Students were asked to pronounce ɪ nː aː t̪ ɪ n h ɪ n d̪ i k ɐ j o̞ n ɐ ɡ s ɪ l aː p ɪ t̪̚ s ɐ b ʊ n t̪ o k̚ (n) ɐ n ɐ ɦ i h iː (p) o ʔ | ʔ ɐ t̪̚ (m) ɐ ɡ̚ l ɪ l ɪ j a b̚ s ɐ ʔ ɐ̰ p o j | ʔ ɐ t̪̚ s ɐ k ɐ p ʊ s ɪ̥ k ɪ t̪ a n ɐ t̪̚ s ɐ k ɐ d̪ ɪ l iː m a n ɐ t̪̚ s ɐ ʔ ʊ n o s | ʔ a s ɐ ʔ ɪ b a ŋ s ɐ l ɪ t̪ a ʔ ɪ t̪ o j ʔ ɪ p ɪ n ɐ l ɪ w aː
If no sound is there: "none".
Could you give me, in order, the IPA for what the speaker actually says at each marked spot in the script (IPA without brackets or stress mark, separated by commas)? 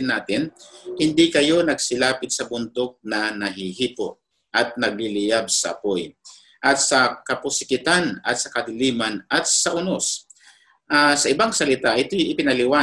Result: n, p, n